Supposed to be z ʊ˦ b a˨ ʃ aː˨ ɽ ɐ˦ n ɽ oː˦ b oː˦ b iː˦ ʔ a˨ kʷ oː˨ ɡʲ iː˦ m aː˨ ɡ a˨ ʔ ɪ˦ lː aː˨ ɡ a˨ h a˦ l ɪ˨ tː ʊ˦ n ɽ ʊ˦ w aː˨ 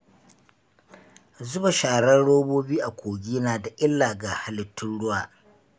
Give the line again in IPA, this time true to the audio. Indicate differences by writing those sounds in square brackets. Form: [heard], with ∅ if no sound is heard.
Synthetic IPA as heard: z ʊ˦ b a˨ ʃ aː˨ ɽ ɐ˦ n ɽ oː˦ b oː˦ b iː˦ ʔ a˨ kʷ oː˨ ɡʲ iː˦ [n] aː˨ [d] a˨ ʔ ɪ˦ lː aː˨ ɡ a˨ h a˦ l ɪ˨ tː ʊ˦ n ɽ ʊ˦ w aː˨

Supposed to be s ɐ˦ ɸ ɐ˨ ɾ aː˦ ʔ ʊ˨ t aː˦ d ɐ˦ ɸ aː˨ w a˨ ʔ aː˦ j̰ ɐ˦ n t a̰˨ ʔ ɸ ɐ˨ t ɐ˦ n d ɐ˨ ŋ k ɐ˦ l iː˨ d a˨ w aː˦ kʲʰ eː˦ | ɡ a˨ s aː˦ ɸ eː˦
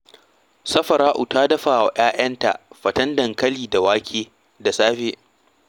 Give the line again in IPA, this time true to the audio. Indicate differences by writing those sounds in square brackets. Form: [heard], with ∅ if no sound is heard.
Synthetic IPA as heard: s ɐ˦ ɸ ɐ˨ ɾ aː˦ ʔ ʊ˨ t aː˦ d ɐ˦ ɸ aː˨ w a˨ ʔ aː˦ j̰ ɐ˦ n t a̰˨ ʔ ɸ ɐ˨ t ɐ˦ n d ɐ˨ ŋ k ɐ˦ l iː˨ d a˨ w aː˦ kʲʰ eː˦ | [d] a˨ s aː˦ ɸ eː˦

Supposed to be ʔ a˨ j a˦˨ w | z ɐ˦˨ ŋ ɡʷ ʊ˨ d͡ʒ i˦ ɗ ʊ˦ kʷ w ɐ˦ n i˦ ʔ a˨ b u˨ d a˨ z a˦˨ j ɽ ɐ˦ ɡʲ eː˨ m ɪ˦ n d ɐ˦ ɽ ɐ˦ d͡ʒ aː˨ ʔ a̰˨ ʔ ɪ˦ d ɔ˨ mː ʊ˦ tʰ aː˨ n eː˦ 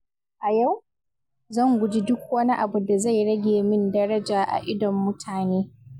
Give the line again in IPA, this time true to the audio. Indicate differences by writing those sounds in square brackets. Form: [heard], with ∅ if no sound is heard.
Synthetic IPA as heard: ʔ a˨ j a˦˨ w | z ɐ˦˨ ŋ ɡʷ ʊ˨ d͡ʒ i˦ [d] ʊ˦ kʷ w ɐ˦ n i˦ ʔ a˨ b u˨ d a˨ z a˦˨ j ɽ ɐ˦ ɡʲ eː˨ m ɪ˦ n d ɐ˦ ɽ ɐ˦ d͡ʒ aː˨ ʔ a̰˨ ʔ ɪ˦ d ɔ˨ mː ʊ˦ tʰ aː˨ n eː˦

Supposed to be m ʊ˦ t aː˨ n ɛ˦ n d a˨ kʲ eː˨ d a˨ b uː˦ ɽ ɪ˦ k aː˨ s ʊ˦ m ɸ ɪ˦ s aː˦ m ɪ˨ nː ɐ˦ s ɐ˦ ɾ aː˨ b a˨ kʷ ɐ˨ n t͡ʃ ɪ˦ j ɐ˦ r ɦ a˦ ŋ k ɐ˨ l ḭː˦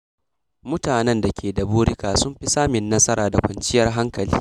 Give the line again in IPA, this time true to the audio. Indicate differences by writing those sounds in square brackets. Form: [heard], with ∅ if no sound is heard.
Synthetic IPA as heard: m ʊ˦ t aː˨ n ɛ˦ n d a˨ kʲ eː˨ d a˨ b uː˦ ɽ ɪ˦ k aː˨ s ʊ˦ m ɸ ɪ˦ s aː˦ m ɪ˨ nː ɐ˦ s ɐ˦ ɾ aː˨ [d] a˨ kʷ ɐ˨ n t͡ʃ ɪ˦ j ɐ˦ r ɦ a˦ ŋ k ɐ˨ l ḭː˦

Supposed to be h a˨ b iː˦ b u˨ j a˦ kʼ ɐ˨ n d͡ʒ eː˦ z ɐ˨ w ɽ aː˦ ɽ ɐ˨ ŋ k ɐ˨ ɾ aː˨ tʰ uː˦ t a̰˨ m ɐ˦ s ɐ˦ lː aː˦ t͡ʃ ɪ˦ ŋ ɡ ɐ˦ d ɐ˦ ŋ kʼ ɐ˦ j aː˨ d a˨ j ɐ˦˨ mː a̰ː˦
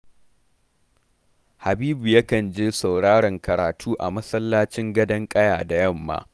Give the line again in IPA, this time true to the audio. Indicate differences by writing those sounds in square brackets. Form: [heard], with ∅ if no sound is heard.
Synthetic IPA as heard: h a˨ b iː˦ b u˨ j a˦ [k] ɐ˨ n d͡ʒ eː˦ [s] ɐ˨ w ɽ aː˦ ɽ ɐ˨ ŋ k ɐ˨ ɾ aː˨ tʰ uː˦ [ʔ] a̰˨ m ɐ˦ s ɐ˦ lː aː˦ t͡ʃ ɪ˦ ŋ ɡ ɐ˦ d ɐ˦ ŋ kʼ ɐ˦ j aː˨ d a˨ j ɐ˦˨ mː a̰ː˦

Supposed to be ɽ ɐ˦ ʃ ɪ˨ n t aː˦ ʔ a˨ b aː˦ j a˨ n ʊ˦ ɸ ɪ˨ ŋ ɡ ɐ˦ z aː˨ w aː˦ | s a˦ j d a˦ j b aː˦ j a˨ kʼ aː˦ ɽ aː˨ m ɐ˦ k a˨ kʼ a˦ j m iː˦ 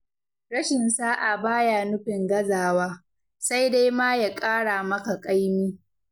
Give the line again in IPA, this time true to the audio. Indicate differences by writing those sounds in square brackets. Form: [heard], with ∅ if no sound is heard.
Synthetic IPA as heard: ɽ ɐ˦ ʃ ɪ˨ n [s] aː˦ ʔ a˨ b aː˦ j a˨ n ʊ˦ ɸ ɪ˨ ŋ ɡ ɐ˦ z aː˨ w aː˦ | s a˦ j d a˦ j [m] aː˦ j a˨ kʼ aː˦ ɽ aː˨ m ɐ˦ k a˨ kʼ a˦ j m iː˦

